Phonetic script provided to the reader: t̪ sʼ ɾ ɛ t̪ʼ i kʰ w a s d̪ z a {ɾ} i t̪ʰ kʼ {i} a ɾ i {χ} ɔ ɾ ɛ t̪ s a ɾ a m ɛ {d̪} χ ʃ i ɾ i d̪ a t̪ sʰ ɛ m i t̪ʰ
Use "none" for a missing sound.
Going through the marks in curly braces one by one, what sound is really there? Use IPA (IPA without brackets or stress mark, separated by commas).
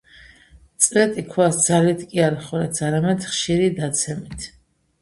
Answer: l, i, χ, d̪